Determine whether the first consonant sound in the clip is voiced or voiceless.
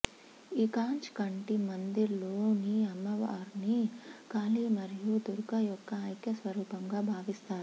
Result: voiceless